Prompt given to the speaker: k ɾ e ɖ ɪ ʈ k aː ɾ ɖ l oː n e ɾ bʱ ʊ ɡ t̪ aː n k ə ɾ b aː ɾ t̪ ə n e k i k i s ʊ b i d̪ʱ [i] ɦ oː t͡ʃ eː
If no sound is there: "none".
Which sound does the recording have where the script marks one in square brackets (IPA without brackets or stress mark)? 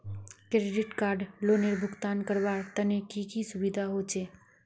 a